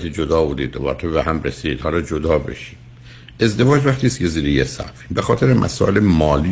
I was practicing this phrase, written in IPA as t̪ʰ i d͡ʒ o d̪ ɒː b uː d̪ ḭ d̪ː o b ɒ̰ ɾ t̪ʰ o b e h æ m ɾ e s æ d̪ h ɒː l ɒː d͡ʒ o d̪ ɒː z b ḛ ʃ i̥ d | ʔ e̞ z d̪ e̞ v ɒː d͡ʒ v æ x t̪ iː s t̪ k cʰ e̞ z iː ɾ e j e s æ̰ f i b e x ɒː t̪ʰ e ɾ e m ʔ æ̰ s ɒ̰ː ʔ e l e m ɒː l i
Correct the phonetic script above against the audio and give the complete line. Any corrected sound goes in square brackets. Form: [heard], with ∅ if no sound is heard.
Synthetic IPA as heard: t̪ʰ i d͡ʒ o d̪ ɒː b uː d̪ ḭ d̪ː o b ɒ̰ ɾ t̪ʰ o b e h æ m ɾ e s [i] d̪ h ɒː l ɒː d͡ʒ o d̪ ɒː [∅] b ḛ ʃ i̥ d | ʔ e̞ z d̪ e̞ v ɒː d͡ʒ v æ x t̪ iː s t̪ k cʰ e̞ z iː ɾ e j e s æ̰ f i b e x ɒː t̪ʰ e ɾ e m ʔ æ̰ s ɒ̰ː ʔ e l e m ɒː l i